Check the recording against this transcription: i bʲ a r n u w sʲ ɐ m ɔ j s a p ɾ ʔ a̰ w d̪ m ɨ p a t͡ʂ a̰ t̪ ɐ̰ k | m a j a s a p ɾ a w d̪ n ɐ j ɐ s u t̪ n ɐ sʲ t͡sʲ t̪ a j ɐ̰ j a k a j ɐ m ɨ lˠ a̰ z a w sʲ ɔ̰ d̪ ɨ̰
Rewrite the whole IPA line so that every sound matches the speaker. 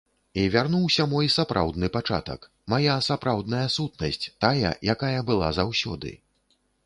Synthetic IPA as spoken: i vʲ a r n u w sʲ ɐ m ɔ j s a p ɾ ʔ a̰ w d̪ n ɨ p a t͡ʂ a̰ t̪ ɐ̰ k | m a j a s a p ɾ a w d̪ n ɐ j ɐ s u t̪ n ɐ sʲ t͡sʲ t̪ a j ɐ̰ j a k a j ɐ b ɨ lˠ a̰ z a w sʲ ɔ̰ d̪ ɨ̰